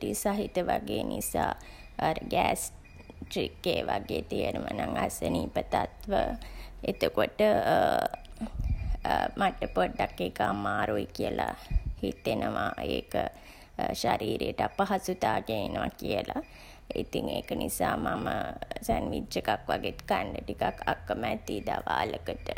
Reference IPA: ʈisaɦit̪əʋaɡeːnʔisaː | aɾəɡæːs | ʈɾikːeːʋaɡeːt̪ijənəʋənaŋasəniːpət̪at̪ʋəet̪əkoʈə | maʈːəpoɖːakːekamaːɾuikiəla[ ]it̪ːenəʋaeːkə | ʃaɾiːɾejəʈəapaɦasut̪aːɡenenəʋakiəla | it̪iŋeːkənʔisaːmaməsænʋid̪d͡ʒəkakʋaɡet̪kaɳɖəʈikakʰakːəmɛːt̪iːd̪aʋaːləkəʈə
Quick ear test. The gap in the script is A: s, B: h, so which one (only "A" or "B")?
B